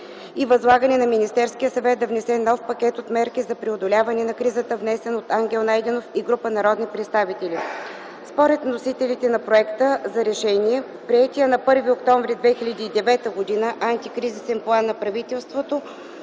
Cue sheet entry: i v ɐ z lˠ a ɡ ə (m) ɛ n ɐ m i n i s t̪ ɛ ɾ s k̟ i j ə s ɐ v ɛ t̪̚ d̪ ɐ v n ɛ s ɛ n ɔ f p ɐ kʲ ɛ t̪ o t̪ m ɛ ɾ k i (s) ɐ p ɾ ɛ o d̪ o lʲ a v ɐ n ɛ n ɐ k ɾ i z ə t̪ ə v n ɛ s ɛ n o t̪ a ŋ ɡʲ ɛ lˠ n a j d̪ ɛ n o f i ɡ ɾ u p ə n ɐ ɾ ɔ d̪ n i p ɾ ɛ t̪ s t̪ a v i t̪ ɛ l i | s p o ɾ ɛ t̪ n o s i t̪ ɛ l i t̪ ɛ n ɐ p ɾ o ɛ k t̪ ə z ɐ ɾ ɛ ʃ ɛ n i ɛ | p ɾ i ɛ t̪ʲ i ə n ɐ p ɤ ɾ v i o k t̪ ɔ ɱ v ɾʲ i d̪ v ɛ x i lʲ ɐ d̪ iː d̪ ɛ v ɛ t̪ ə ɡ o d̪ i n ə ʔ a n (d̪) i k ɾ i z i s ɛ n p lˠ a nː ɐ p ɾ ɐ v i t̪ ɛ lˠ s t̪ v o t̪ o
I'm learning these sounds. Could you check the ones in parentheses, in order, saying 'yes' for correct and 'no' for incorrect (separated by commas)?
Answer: no, no, no